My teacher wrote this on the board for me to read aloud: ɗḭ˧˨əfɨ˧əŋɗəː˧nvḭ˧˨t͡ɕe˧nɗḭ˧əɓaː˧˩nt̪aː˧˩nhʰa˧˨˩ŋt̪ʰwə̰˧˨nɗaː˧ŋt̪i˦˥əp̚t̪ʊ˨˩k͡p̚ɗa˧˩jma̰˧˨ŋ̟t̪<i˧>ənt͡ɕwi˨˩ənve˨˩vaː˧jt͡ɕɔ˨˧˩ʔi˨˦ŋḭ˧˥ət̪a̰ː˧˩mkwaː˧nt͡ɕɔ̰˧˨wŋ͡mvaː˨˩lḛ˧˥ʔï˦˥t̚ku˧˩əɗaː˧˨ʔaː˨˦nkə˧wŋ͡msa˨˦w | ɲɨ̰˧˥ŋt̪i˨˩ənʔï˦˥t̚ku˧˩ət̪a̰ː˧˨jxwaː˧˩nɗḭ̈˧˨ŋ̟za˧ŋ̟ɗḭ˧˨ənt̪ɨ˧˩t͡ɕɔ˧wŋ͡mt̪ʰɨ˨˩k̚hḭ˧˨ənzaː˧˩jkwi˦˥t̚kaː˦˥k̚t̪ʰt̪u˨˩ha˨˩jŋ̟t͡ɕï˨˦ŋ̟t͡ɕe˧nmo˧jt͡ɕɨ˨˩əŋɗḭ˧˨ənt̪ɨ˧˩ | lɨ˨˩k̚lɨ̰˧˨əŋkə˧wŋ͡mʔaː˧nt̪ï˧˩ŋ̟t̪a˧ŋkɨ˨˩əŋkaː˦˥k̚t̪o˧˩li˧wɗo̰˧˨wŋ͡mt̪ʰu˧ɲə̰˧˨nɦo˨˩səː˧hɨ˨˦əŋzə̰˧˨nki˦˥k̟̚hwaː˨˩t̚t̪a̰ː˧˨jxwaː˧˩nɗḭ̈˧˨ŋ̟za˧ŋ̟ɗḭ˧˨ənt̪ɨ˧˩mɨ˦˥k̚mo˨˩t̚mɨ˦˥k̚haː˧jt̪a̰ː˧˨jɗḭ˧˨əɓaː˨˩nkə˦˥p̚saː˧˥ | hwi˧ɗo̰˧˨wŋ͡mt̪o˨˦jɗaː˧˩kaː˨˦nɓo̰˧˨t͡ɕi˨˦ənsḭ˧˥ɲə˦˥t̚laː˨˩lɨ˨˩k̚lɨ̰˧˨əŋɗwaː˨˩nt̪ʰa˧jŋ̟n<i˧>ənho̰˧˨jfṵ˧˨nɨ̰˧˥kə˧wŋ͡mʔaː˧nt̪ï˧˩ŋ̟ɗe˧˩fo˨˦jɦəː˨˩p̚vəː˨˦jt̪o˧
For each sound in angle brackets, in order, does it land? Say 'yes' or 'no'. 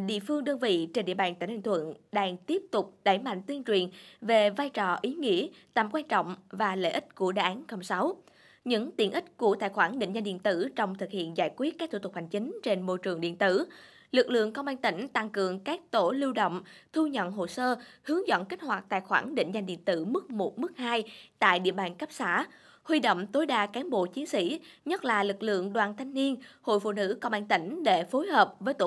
yes, yes

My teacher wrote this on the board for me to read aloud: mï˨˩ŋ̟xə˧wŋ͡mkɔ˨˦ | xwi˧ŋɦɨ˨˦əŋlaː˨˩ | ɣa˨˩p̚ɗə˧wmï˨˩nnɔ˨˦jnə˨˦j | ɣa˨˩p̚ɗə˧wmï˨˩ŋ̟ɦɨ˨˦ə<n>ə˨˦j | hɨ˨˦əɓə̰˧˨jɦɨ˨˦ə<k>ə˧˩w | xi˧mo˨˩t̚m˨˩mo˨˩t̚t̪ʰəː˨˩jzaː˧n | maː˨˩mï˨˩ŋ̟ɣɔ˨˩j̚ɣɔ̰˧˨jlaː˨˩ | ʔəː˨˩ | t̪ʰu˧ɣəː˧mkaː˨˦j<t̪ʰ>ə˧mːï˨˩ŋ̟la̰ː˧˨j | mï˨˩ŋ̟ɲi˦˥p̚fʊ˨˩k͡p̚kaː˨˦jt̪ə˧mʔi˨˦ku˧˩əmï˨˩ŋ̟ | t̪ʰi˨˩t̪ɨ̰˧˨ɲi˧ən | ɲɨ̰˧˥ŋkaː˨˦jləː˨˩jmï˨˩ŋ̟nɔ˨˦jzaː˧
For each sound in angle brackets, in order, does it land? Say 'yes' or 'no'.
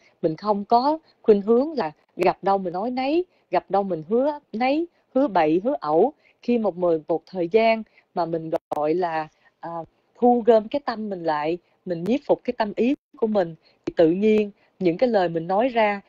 yes, no, no

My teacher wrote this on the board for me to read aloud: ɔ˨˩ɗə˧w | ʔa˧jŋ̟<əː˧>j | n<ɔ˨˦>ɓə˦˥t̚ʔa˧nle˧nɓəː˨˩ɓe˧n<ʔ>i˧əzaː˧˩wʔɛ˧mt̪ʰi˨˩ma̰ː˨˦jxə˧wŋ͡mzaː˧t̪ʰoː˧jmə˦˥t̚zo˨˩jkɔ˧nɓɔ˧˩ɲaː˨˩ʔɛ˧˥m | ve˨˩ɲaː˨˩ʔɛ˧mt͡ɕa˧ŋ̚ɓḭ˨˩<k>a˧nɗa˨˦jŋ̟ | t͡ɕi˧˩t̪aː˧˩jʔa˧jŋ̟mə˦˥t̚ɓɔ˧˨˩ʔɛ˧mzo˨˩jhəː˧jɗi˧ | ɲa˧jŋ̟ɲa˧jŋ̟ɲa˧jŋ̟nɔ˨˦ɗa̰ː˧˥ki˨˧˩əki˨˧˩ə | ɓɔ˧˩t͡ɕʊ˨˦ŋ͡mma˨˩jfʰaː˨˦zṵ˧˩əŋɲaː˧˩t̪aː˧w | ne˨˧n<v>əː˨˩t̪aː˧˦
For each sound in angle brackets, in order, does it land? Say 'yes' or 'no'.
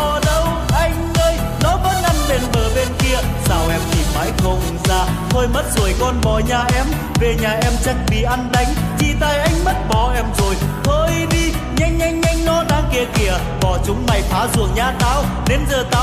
yes, yes, no, no, no

